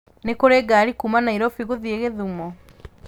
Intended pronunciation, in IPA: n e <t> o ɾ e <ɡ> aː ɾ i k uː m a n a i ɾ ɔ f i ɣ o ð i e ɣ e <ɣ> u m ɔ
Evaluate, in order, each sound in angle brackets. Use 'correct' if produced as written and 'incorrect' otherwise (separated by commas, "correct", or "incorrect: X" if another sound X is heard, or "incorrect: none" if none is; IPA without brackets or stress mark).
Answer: incorrect: k, correct, incorrect: ð